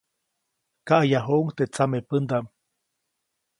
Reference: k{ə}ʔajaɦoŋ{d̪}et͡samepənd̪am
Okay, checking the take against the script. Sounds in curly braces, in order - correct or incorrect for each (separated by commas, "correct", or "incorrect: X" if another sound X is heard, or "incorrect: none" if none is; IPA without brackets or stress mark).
incorrect: a, incorrect: t̪